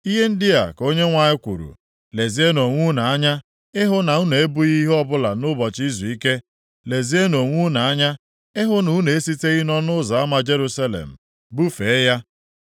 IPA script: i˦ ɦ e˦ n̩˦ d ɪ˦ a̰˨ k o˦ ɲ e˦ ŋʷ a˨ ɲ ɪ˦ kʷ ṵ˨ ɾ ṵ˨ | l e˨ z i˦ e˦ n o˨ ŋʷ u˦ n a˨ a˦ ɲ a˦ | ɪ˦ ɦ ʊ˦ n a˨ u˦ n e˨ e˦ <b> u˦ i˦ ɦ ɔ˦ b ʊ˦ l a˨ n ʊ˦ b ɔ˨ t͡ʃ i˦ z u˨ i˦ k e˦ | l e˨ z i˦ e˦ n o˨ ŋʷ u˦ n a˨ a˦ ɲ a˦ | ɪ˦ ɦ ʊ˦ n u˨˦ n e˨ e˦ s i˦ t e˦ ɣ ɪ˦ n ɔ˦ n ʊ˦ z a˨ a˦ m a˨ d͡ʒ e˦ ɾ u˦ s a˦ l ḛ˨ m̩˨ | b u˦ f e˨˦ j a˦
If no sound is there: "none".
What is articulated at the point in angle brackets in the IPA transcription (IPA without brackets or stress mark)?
b